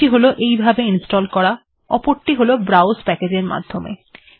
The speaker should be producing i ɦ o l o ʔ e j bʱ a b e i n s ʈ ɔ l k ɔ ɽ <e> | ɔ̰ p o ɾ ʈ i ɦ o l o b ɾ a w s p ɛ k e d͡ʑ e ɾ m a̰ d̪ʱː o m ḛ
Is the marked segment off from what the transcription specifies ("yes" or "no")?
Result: yes